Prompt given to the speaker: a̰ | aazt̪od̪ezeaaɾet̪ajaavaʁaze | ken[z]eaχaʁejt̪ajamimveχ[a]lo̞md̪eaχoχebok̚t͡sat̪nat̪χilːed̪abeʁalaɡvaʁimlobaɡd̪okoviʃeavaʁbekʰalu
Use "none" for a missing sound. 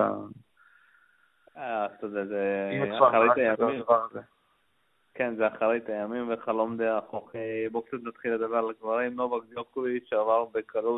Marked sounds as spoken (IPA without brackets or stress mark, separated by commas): z, a